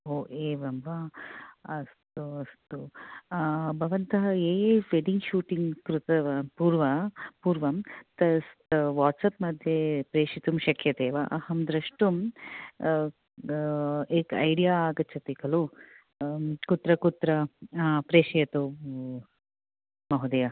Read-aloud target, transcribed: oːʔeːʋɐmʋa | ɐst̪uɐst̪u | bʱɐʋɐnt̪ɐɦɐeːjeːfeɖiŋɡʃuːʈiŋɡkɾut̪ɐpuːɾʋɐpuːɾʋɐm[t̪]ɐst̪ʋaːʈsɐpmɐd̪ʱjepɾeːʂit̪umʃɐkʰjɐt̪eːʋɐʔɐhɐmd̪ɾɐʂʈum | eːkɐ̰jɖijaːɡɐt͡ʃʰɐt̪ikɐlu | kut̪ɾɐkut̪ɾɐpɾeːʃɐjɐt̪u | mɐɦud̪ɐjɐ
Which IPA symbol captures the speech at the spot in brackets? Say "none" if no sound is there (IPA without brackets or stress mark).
t̪